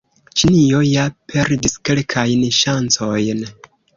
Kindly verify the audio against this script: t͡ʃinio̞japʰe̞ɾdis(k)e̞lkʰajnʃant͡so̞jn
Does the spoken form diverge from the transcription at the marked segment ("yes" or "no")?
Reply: no